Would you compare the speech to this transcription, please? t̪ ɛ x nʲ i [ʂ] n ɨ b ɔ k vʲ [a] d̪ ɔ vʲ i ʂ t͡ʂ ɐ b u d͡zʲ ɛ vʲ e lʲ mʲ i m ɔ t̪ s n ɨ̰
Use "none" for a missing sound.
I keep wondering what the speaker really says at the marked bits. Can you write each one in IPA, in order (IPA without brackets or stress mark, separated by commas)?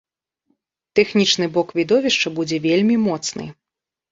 t͡ʂ, i